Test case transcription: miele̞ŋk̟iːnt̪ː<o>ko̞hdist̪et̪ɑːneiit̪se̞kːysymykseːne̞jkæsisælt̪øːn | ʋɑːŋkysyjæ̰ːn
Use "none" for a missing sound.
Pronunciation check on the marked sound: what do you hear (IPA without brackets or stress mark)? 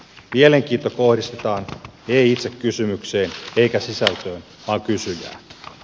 o